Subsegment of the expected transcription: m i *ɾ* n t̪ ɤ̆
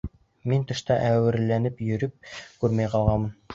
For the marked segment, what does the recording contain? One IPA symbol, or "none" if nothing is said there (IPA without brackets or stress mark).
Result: none